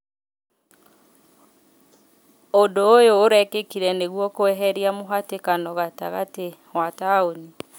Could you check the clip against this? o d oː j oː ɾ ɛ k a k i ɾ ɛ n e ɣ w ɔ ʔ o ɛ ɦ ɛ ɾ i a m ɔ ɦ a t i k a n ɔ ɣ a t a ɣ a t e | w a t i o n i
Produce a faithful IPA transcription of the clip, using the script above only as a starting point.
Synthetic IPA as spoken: o d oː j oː ɾ ɛ k e k i ɾ ɛ n e ɣ w ɔ k o ɛ ɦ ɛ ɾ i a m o ɦ a t e k a n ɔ ɣ a t a ɣ a t e | w a t a o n i

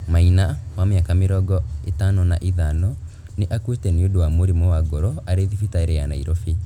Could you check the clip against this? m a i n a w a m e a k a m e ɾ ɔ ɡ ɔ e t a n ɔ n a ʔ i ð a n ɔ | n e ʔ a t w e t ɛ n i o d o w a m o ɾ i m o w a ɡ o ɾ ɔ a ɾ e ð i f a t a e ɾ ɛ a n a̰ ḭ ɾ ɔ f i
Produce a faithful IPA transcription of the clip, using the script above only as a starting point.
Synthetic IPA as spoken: m a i n a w a m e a k a m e ɾ ɔ ɡ ɔ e t a n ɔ n a ʔ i ð a n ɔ | n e ʔ a k w e t ɛ n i o d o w a m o ɾ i m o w a ɡ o ɾ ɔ a ɾ e ð i f i t a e ɾ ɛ a n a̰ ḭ ɾ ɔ f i

